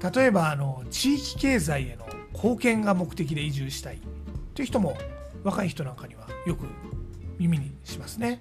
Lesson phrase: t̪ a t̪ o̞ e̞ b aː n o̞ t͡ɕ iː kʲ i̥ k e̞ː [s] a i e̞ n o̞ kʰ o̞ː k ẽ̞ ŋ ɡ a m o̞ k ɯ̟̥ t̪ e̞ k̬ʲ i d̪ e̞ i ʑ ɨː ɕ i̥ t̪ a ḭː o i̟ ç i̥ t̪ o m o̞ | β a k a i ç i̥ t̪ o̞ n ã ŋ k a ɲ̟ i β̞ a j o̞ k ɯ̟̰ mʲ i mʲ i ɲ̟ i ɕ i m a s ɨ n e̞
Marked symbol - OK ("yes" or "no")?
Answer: no